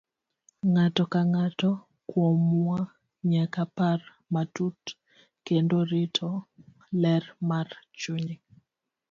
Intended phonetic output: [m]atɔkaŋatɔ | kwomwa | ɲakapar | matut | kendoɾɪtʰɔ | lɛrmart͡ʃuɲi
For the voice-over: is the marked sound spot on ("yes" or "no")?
no